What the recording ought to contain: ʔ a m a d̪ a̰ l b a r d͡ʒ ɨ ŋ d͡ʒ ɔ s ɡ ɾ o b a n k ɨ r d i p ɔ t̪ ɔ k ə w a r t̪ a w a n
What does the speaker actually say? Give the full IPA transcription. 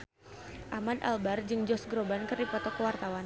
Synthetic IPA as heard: ʔ a m a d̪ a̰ l b a r d͡ʒ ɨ ŋ d͡ʒ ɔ s ɡ ɾ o b a n k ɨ r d i p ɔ t̪ ɔ k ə w a r t̪ a w a n